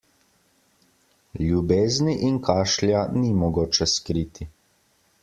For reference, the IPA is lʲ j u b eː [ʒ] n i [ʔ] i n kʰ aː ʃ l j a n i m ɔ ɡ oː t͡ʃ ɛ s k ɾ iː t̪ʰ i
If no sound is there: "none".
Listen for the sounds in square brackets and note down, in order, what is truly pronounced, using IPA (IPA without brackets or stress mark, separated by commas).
z, ʔ